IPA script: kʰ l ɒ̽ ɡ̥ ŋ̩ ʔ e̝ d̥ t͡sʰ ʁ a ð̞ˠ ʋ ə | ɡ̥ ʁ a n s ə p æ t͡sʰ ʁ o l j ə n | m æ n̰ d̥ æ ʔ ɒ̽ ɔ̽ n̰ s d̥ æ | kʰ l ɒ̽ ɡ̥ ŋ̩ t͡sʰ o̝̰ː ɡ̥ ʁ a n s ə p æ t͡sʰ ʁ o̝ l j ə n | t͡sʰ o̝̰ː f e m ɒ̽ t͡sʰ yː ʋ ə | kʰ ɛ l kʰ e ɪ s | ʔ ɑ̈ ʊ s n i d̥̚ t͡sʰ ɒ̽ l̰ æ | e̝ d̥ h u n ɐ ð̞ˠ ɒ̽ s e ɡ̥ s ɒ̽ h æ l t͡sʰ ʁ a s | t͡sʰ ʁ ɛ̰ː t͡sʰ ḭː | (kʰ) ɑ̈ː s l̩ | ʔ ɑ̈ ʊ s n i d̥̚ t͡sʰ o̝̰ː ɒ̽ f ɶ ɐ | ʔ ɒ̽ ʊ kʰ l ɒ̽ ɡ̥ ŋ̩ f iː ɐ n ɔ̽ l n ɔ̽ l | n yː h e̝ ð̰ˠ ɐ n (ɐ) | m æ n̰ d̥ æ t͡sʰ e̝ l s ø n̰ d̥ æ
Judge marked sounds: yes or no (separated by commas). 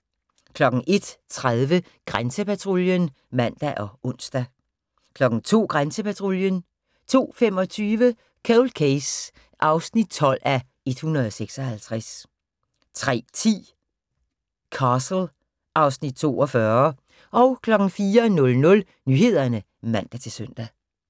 yes, no